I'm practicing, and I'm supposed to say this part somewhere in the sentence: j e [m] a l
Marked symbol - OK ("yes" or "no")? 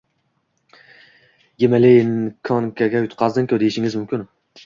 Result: yes